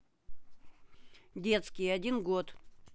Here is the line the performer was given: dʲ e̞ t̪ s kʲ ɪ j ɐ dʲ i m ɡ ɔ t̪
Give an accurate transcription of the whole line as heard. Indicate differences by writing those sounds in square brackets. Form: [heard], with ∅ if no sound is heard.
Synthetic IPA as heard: dʲ e̞ t̪ s kʲ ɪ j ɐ dʲ i [n] ɡ [o] t̪